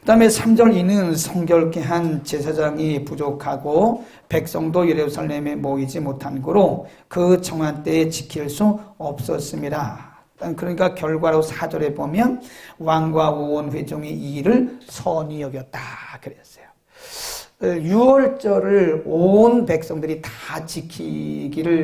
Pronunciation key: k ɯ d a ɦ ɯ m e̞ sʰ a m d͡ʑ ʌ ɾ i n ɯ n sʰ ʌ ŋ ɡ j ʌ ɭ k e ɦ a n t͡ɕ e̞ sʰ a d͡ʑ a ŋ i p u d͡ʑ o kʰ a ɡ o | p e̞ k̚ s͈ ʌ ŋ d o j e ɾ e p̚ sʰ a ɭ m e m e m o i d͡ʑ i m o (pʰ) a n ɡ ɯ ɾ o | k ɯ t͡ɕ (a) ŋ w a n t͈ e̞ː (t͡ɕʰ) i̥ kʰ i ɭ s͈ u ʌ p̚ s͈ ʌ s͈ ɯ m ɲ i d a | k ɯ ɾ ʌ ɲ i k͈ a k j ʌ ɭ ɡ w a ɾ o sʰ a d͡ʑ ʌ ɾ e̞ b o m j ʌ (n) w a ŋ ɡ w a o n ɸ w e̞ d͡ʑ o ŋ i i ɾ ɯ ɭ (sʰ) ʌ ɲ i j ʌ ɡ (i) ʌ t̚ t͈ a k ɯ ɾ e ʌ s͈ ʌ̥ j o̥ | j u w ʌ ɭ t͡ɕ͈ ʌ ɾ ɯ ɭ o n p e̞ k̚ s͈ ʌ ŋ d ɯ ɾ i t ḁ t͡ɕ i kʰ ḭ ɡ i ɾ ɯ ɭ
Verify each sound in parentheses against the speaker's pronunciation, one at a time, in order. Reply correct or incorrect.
incorrect, incorrect, incorrect, correct, correct, incorrect

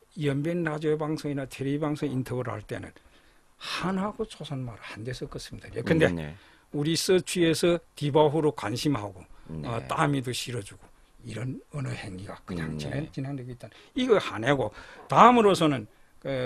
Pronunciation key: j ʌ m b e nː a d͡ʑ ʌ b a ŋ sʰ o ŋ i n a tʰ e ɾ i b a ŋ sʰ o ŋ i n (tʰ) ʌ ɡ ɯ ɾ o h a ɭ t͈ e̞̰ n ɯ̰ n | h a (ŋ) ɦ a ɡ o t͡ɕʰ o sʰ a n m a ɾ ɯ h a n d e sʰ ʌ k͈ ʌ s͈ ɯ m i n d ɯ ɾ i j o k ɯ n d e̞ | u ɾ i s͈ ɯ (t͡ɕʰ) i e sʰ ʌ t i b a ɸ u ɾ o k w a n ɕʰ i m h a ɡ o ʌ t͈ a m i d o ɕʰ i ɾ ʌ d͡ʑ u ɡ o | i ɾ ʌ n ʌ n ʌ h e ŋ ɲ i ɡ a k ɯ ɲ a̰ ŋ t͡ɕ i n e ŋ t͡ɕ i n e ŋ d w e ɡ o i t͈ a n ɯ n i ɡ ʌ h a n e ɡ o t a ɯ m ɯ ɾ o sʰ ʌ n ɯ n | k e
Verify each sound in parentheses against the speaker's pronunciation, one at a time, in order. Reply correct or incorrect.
correct, incorrect, correct

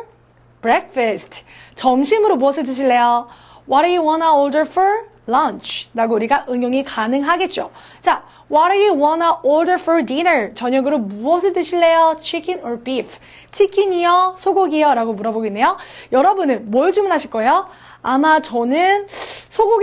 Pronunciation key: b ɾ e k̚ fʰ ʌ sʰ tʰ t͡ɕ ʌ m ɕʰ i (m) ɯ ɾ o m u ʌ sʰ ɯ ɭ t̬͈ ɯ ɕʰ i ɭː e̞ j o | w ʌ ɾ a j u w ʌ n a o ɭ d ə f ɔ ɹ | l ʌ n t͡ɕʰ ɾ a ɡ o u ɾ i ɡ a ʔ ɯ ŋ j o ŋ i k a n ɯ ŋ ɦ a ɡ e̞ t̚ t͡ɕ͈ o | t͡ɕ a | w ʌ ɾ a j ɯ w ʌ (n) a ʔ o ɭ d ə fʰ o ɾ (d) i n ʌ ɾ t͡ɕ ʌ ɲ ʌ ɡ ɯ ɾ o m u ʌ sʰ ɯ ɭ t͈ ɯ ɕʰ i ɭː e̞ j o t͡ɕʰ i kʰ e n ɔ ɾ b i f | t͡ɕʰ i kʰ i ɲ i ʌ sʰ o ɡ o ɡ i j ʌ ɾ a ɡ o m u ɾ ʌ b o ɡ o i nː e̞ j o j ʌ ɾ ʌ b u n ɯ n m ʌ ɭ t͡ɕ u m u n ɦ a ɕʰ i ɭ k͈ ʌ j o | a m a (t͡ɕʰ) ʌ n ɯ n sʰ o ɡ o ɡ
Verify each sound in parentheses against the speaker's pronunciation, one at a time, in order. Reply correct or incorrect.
correct, correct, correct, incorrect

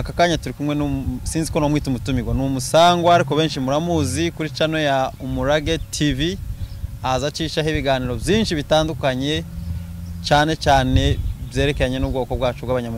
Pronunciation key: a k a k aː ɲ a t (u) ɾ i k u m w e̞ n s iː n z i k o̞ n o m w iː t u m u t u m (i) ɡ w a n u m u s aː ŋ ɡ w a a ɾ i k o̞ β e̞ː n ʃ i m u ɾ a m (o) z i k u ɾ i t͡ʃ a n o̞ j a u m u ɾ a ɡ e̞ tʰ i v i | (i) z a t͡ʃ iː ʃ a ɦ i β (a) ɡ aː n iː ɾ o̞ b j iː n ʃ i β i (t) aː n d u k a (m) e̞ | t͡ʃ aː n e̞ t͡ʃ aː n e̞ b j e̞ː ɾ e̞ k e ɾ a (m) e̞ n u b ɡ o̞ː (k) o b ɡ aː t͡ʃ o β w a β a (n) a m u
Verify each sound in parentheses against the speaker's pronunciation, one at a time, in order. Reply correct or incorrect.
correct, correct, incorrect, incorrect, incorrect, correct, incorrect, incorrect, correct, incorrect

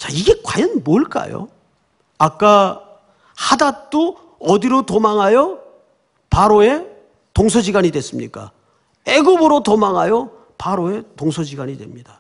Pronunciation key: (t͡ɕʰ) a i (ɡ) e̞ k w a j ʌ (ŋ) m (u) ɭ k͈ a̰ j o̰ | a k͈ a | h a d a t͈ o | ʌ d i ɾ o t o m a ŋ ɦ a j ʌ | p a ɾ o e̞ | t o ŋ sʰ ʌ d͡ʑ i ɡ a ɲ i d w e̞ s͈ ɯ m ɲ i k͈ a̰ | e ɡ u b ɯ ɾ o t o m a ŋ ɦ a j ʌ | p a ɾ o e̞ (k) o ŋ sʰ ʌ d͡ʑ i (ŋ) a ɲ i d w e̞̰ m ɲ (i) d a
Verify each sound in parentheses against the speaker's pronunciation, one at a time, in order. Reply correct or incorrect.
incorrect, correct, incorrect, incorrect, incorrect, incorrect, correct

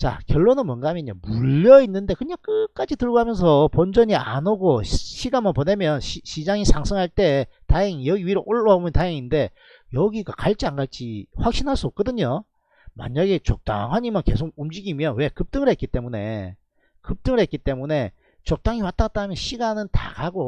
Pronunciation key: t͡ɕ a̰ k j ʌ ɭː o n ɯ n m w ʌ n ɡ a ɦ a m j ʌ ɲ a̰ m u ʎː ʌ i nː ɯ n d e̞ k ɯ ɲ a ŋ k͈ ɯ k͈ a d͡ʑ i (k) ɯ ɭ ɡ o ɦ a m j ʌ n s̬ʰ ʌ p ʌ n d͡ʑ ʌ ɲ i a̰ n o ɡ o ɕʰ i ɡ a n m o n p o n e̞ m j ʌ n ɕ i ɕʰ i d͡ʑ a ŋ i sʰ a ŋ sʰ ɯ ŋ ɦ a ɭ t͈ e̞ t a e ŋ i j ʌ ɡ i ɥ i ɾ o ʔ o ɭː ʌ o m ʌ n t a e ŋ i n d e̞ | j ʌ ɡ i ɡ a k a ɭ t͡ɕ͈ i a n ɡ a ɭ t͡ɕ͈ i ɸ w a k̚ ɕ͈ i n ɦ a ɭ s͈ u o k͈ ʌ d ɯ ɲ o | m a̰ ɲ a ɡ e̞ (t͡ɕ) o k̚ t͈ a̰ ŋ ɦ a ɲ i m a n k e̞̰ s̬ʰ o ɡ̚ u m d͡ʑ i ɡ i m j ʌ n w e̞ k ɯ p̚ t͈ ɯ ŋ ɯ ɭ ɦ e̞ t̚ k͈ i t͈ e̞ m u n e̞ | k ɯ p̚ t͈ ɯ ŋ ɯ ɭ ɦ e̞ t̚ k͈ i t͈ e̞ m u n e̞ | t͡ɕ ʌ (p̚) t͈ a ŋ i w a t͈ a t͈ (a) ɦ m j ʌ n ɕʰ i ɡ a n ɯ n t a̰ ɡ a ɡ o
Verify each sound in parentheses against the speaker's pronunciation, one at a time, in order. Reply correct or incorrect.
incorrect, correct, incorrect, correct

